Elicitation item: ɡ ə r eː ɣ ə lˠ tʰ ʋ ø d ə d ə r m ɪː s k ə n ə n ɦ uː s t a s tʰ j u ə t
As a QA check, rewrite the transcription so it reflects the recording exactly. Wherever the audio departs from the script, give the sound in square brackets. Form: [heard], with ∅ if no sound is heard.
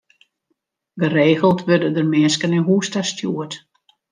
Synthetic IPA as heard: ɡ ə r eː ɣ ə lˠ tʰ ʋ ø d ə d ə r m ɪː s k ə n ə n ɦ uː s t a s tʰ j u ə t